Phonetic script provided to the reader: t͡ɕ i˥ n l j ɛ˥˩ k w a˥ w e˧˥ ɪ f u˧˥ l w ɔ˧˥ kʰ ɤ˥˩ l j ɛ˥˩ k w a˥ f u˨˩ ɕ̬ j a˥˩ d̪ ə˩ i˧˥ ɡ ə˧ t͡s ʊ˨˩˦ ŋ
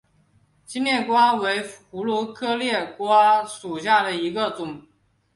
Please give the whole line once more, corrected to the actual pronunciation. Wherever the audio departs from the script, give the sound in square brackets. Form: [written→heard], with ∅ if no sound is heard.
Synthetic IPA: t͡ɕ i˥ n l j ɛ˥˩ k w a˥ w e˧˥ ɪ [f→x] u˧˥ l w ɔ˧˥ kʰ [ɤ˥˩→ɤ˥] l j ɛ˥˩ k w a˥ [f→ʂ] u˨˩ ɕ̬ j a˥˩ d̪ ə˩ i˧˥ ɡ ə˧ t͡s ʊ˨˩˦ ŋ

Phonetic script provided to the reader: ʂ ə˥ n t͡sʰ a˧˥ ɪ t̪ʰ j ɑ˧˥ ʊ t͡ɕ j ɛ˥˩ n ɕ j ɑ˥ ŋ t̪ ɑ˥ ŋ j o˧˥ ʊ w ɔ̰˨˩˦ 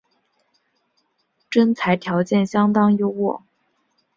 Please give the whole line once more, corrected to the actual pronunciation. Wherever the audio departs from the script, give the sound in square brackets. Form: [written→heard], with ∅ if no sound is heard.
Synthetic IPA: [ʂ→ʈ͡ʂ] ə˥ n t͡sʰ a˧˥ ɪ t̪ʰ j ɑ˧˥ ʊ t͡ɕ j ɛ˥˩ n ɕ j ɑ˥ ŋ t̪ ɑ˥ ŋ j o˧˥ ʊ w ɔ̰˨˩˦

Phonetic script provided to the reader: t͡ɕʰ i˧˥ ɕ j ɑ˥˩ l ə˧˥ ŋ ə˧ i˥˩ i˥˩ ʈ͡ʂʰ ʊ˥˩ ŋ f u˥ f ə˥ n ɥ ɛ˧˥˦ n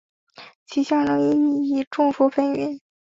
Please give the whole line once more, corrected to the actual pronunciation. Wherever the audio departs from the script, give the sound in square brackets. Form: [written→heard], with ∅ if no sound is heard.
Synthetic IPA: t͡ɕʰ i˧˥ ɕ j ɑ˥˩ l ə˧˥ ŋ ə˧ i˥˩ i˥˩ [ʈ͡ʂʰ→ʈ͡ʂ] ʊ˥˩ ŋ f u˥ f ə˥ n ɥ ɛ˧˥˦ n

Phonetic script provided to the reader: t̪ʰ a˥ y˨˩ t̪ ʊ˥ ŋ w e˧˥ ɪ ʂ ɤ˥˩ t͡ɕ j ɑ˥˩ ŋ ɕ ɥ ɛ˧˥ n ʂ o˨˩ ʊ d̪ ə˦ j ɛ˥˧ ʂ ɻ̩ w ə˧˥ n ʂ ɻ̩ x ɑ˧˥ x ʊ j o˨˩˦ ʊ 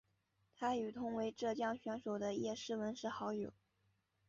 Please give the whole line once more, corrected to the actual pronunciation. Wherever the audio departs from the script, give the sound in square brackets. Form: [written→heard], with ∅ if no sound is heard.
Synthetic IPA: t̪ʰ a˥ y˨˩ [t̪→t̪ʰ] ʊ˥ ŋ w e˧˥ ɪ [ʂ→ʈ͡ʂ] ɤ˥˩ t͡ɕ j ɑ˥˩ ŋ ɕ ɥ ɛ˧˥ n ʂ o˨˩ ʊ d̪ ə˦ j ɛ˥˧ ʂ ɻ̩ w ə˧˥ n ʂ ɻ̩ x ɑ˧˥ [x→∅] ʊ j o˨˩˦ ʊ

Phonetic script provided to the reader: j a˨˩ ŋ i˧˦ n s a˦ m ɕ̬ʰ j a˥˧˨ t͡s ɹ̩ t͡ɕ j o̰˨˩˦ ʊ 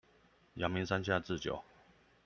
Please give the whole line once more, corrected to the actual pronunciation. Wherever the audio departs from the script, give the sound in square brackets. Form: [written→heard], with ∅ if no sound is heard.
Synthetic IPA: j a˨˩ [ŋ→m] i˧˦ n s a˦ [m→n] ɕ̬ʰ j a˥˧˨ t͡s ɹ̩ t͡ɕ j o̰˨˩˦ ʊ

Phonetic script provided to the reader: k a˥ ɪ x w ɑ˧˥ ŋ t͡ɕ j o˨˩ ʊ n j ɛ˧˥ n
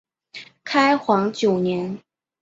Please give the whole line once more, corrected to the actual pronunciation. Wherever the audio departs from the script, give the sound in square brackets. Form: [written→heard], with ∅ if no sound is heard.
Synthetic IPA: [k→kʰ] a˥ ɪ x w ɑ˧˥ ŋ t͡ɕ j o˨˩ ʊ n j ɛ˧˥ n

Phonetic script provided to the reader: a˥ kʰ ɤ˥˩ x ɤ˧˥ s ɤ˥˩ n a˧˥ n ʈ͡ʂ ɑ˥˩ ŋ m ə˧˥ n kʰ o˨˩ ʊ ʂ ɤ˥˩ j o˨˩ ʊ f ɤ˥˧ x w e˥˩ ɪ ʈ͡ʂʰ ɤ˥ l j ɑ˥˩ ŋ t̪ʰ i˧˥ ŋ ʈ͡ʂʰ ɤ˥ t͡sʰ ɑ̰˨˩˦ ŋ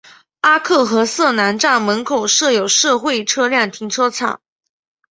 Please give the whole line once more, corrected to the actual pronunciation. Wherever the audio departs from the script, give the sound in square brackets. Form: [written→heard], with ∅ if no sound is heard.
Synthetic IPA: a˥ kʰ ɤ˥˩ x ɤ˧˥ s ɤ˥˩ n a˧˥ n ʈ͡ʂ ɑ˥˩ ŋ m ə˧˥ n kʰ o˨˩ ʊ ʂ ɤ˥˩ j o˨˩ ʊ [f→ʂ] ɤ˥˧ x w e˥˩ ɪ ʈ͡ʂʰ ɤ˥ l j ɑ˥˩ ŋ t̪ʰ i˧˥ ŋ ʈ͡ʂʰ ɤ˥ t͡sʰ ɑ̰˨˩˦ ŋ

